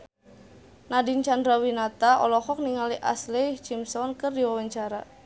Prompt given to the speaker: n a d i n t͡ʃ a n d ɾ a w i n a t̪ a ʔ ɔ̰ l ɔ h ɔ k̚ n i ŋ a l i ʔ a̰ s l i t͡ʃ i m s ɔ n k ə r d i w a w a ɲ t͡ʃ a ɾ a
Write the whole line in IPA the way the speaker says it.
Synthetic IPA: n a d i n t͡ʃ a n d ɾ a w i n a t̪ a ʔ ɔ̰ l ɔ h ɔ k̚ n i ŋ a l i ʔ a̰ s l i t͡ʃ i m s ɔ n k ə r d i w a w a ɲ t͡ʃ a ɾ a